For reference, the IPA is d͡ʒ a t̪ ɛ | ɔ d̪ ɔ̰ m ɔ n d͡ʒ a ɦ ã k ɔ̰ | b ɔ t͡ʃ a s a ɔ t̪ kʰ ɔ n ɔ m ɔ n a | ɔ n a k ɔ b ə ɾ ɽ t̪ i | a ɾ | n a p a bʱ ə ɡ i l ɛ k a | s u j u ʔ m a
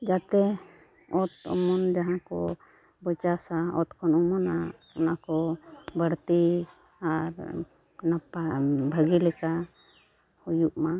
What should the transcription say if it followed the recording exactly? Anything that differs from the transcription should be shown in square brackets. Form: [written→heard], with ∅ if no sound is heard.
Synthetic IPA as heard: d͡ʒ a t̪ ɛ | ɔ [d̪→t̪] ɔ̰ m ɔ n d͡ʒ a ɦ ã k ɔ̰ | b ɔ t͡ʃ a s a ɔ t̪ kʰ ɔ n ɔ m ɔ n a | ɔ n a k ɔ b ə [ɾ→∅] ɽ t̪ i | a ɾ | n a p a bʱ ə ɡ i l ɛ k a | [s→h] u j u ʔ m a

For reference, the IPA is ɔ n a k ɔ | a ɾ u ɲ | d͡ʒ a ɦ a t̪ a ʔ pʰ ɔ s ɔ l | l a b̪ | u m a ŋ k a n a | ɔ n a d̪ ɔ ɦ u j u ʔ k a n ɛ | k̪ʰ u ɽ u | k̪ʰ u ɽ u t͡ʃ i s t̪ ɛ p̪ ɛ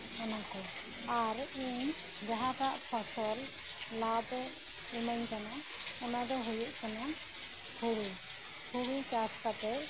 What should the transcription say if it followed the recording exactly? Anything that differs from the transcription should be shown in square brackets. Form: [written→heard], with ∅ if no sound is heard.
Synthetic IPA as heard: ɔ n a k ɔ | a ɾ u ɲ | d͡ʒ a ɦ a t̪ a ʔ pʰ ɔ s ɔ l | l a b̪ | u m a [ŋ→ɲ] k a n a | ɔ n a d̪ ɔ ɦ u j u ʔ k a n [ɛ→a] | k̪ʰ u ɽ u | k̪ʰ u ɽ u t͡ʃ [i→a] s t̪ [ɛ→a] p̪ ɛ

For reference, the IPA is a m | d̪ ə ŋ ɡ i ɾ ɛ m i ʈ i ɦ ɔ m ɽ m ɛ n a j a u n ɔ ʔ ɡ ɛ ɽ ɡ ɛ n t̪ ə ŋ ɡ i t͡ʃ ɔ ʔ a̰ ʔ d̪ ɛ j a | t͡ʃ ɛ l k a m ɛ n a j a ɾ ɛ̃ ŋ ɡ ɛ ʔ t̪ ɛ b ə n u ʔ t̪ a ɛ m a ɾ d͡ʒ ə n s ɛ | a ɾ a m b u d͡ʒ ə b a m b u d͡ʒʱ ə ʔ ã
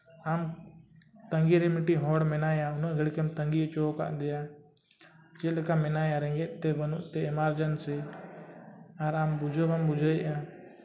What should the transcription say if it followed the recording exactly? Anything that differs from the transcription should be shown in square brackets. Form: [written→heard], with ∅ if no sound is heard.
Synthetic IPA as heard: a m | [d̪→t̪] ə ŋ ɡ i ɾ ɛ m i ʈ i ɦ ɔ [m→∅] ɽ m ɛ n a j a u n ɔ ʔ ɡ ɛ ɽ [ɡ→k] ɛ [n→m] t̪ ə ŋ ɡ i t͡ʃ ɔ [ʔ→k] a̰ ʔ d̪ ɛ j a | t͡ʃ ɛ l k a m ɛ n a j a ɾ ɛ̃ ŋ ɡ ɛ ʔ t̪ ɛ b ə n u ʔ t̪ [a→ɛ] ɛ m a ɾ d͡ʒ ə n s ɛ | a ɾ a m b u d͡ʒ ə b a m b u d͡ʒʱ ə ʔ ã

